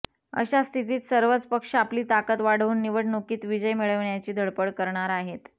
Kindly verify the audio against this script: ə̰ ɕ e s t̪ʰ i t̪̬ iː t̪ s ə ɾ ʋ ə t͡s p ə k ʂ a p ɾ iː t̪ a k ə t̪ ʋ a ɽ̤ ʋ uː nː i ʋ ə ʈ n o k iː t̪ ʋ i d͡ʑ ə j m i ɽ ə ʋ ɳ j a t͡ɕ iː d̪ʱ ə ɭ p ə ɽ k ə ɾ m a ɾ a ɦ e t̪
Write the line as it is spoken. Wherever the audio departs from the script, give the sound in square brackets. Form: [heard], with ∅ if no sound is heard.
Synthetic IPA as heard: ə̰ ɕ [a] s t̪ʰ i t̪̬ iː t̪ s ə ɾ ʋ ə t͡s p ə k ʂ a p [l] iː t̪ a k ə t̪ ʋ a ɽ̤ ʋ uː nː i ʋ ə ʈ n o k iː t̪ ʋ i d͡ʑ ə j m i [ɭ] ə ʋ ɳ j a t͡ɕ iː d̪ʱ ə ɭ p ə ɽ k ə ɾ [ɳ] a ɾ a ɦ e t̪

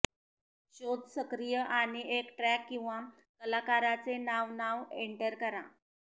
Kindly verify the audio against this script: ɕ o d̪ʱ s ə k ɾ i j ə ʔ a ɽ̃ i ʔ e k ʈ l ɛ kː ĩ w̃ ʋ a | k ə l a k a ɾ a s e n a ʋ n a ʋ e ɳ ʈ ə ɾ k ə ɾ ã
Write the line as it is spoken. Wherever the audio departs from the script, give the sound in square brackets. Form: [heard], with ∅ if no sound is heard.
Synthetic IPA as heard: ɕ o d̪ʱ s ə k ɾ i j ə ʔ a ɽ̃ i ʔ e k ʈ [ɾ] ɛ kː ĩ w̃ ʋ a | k ə l a k a ɾ a [t͡s] e n a ʋ n a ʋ e ɳ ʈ ə ɾ k ə ɾ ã

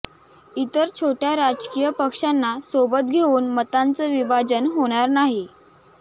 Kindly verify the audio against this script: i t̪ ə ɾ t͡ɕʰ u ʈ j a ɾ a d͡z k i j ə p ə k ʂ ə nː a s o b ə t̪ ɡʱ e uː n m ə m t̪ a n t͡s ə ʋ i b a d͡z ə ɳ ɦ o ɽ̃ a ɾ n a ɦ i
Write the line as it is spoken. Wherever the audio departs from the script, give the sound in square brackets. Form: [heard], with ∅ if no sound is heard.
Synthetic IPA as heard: i t̪ ə ɾ t͡ɕʰ [o] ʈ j a ɾ a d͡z k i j ə p ə k ʂ [a] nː a s o b ə t̪ ɡʱ e uː n m ə [∅] t̪ a n t͡s ə ʋ i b a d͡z ə [n] ɦ o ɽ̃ a ɾ n a ɦ i

